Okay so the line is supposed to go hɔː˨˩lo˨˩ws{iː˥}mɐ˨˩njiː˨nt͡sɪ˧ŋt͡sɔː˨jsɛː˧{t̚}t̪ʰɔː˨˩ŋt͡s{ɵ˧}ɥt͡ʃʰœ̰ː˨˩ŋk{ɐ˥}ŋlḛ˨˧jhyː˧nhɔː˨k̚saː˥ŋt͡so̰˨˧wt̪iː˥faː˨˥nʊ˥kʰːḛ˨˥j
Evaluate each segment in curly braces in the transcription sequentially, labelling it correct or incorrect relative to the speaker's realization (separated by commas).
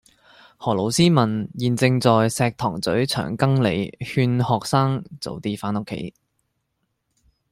correct, incorrect, incorrect, correct